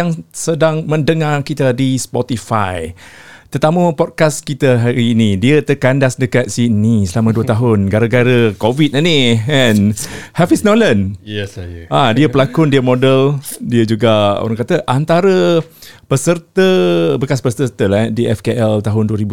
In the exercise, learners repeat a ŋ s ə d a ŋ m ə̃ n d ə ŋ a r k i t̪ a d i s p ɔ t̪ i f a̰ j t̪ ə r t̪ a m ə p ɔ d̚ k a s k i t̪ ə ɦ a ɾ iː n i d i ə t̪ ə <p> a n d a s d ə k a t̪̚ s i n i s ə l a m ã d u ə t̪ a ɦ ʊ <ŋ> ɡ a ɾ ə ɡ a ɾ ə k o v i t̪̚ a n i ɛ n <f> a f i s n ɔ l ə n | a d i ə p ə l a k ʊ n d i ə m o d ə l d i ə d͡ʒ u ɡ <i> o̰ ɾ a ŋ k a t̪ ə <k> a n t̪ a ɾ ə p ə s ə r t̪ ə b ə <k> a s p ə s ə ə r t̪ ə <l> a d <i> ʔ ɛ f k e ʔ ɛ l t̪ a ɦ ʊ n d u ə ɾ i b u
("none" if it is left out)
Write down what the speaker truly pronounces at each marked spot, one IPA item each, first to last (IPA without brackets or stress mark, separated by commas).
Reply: k, n, h, a, ʔ, k, l, i